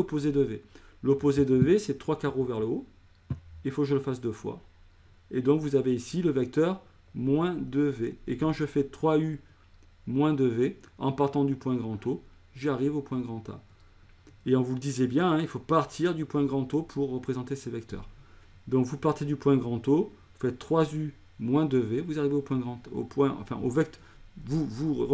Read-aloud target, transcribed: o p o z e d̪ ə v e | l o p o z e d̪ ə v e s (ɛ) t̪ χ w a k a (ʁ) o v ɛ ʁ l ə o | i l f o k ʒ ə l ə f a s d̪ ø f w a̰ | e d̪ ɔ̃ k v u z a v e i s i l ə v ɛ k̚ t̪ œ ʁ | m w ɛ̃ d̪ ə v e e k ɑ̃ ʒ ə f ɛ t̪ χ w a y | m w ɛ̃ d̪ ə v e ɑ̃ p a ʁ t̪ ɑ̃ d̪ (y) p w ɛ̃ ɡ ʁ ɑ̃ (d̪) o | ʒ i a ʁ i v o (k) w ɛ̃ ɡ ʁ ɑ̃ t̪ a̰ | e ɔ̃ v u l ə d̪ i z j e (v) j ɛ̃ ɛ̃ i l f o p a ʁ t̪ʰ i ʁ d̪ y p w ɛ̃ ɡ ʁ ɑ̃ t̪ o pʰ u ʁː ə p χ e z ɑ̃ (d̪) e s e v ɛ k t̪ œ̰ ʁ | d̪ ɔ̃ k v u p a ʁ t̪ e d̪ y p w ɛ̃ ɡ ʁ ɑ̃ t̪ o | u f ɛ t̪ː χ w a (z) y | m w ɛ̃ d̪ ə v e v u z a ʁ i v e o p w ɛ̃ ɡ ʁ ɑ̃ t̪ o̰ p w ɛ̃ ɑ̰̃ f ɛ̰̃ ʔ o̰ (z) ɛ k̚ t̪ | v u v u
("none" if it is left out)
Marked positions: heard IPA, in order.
ɛ, ʁ, y, t̪, p, b, t̪, z, v

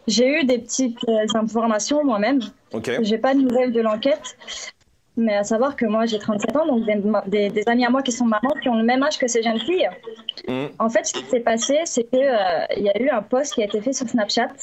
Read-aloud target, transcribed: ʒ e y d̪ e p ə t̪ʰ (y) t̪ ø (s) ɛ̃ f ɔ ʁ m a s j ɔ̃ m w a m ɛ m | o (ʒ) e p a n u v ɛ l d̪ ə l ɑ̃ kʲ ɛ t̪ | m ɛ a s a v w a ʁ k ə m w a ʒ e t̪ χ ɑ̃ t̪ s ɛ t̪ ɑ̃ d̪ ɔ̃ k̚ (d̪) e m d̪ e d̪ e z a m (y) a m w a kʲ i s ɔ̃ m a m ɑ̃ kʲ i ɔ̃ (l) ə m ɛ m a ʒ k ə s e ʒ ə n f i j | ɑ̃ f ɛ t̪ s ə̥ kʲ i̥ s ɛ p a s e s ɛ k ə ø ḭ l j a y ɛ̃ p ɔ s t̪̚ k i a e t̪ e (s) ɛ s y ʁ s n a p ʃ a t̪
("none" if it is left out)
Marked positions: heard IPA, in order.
i, z, ʒ, d̪, i, l, f

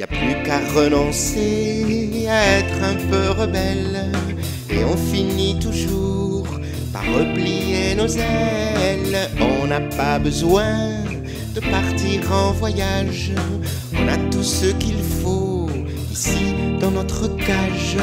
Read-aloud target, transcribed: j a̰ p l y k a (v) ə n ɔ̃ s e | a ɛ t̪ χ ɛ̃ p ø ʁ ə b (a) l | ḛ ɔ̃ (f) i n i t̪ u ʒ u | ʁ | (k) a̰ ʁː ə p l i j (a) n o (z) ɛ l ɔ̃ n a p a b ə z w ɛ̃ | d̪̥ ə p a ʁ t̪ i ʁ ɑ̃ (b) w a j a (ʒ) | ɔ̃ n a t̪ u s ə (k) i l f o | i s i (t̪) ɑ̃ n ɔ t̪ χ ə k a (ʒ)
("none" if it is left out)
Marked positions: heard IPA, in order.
ʁ, ɛ, f, p, e, z, v, ʒ, k, d̪, ʒ

